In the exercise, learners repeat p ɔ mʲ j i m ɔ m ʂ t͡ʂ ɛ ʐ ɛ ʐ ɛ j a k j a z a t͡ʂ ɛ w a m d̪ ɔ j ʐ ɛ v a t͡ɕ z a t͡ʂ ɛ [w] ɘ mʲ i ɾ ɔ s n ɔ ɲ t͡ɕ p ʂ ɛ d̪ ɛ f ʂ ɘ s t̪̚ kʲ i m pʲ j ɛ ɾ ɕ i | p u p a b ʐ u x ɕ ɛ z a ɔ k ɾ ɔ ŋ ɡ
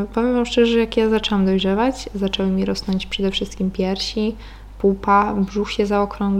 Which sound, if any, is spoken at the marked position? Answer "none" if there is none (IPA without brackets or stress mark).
w